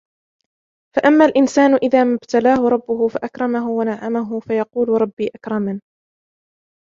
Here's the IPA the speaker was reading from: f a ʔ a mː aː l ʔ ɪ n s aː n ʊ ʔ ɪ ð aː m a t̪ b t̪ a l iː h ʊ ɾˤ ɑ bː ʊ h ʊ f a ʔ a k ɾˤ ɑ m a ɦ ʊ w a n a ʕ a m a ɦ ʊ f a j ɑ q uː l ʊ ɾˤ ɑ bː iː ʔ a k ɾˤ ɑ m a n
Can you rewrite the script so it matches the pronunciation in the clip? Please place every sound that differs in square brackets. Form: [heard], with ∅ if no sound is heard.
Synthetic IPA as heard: f a ʔ a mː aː l ʔ ɪ n s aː n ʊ ʔ ɪ ð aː m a [∅] b t̪ a l [aː] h ʊ ɾˤ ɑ bː ʊ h ʊ f a ʔ a k ɾˤ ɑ m a ɦ ʊ w a n a ʕ a m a ɦ ʊ f a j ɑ q uː l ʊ ɾˤ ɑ bː iː ʔ a k ɾˤ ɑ m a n